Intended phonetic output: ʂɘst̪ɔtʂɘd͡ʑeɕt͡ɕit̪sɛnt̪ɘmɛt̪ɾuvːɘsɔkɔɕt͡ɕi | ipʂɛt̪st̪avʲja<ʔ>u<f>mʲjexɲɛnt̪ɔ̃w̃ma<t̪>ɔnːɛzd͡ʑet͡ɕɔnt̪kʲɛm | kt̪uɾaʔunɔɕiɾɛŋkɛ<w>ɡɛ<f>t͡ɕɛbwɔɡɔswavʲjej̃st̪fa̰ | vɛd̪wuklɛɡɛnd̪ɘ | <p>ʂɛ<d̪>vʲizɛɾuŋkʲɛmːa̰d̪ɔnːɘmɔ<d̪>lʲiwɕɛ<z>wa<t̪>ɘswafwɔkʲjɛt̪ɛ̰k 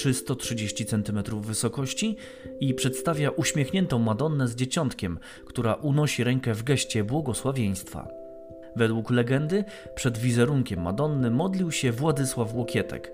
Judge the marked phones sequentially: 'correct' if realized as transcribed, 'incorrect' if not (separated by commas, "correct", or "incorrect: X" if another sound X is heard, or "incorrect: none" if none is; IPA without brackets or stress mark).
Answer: correct, incorrect: ɕ, incorrect: d̪, incorrect: v, incorrect: ɕ, correct, correct, correct, incorrect: v, incorrect: d̪